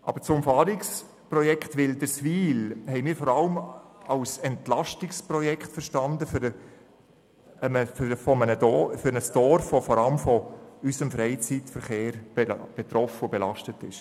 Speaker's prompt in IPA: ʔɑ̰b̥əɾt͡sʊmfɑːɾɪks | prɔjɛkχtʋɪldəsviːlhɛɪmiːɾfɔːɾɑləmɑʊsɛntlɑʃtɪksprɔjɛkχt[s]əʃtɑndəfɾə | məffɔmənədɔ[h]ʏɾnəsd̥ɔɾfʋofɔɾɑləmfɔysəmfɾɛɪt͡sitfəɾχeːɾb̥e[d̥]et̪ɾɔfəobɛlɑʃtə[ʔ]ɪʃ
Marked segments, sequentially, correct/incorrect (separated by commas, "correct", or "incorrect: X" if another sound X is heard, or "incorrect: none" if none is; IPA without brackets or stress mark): incorrect: f, incorrect: f, incorrect: b̥, incorrect: t